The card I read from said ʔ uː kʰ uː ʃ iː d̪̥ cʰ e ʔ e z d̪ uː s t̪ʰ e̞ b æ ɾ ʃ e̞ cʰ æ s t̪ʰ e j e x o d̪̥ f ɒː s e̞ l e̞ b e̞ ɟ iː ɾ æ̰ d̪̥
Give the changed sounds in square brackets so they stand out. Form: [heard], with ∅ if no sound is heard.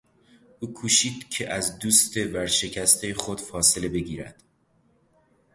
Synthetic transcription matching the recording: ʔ uː kʰ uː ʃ iː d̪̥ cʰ e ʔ [æ] z d̪ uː s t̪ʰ e̞ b æ ɾ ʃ e̞ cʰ æ s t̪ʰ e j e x o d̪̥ f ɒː s e̞ l e̞ b e̞ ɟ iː ɾ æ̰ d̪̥